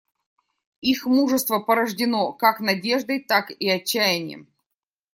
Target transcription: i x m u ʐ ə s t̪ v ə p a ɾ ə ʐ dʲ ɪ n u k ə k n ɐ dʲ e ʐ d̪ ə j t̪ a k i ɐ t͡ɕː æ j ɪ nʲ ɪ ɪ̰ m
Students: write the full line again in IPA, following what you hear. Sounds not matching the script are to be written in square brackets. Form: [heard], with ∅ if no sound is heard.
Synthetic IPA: i x m u ʐ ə s t̪ v ə p [ə] ɾ ə ʐ dʲ ɪ n [o] k [a] k n ɐ dʲ e ʐ d̪ ə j t̪ a k i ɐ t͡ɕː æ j ɪ nʲ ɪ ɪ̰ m

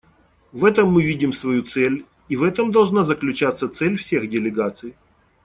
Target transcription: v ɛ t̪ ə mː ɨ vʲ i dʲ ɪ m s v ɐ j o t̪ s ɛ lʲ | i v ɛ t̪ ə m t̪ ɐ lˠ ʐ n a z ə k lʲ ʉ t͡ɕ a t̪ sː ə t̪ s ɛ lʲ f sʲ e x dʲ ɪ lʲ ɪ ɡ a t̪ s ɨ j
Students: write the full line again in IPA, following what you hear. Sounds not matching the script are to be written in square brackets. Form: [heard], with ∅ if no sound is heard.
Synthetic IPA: v ɛ t̪ ə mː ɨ vʲ i dʲ ɪ m s v ɐ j [u] t̪ s ɛ lʲ | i v ɛ t̪ ə m [d̪] ɐ lˠ ʐ n a z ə k lʲ ʉ t͡ɕ a t̪ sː ə t̪ s ɛ lʲ f sʲ e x dʲ ɪ lʲ ɪ ɡ a t̪ s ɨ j

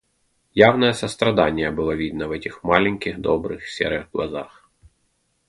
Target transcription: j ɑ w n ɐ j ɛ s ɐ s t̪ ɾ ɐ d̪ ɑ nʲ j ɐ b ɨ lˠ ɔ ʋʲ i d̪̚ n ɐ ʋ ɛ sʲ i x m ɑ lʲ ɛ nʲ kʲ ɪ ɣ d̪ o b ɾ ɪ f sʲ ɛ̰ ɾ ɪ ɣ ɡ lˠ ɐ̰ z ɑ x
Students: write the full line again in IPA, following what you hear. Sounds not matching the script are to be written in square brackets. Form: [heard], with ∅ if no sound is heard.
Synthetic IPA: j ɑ w n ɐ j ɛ s ɐ s t̪ ɾ ɐ d̪ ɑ nʲ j ɐ b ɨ lˠ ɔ ʋʲ i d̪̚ n ɐ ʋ ɛ [tʲ] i x m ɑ lʲ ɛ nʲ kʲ ɪ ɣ d̪ [ɔ] b ɾ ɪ [x] sʲ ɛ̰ ɾ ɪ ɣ ɡ lˠ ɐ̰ z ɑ x

